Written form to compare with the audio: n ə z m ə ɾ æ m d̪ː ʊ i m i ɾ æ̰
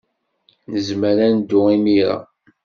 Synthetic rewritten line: n ə z m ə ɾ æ n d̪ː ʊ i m i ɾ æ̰